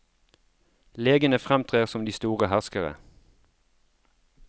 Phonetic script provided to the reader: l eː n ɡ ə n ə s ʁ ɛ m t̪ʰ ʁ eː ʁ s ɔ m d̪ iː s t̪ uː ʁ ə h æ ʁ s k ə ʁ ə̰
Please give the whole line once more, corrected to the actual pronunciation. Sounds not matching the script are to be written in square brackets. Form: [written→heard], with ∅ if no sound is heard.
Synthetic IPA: l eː [n→∅] ɡ ə n ə [s→f] ʁ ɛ m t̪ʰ ʁ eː ʁ s ɔ m d̪ iː s t̪ uː ʁ ə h æ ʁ s k ə ʁ ə̰